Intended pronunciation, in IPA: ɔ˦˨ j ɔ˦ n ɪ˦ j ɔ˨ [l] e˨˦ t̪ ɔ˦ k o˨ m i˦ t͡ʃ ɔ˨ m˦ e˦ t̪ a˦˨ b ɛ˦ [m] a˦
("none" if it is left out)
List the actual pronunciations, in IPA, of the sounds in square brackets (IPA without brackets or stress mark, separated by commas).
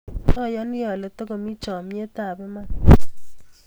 l, m